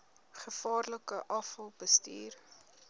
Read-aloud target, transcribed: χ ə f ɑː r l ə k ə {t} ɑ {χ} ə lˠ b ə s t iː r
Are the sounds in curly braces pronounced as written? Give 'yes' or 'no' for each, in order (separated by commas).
no, no